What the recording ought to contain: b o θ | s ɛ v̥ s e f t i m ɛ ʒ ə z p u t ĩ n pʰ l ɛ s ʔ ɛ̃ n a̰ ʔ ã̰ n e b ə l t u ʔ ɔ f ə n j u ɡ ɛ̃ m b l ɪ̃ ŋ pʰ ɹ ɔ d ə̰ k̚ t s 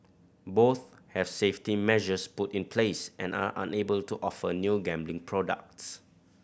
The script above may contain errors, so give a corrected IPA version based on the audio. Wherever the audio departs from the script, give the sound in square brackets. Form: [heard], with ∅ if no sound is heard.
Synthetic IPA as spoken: b o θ | [h] ɛ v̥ s e f t i m ɛ ʒ ə [s] p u t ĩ n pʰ l [e] s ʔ ɛ̃ n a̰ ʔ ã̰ n e b ə l t u ʔ ɔ f ə n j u ɡ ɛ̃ m b l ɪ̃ ŋ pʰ ɹ ɔ d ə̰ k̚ t s